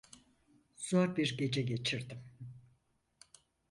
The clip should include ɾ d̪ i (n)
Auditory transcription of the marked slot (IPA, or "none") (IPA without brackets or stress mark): m